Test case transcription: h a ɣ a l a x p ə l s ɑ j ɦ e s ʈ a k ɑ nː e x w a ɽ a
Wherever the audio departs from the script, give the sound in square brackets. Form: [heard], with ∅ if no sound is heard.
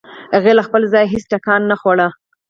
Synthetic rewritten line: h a ɣ [e] l a x p ə l [z] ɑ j ɦ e s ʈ a k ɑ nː [a] x w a ɽ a